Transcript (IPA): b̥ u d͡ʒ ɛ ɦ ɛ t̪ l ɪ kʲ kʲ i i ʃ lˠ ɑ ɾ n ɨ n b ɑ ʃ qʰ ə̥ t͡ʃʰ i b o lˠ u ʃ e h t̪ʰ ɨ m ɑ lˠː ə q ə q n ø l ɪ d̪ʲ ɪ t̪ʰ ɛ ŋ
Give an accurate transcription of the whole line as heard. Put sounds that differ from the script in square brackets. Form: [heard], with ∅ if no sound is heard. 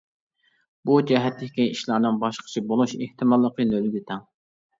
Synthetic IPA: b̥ u d͡ʒ ɛ ɦ ɛ t̪ l ɪ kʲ kʲ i i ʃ lˠ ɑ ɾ n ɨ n b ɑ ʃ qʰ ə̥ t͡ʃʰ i b o lˠ u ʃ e h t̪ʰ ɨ m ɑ lˠː ə q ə [∅] n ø l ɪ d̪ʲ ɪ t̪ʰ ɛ ŋ